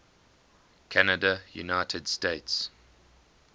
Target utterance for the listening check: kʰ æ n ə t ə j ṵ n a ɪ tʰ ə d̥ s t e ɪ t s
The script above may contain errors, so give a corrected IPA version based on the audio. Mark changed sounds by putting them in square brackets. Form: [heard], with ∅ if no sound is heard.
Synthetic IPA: kʰ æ n ə [d] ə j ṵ n a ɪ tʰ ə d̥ s t e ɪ t s